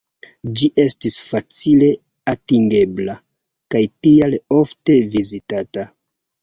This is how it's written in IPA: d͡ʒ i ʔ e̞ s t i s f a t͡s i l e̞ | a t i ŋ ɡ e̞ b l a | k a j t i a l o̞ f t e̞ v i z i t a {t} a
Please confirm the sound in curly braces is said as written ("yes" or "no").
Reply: yes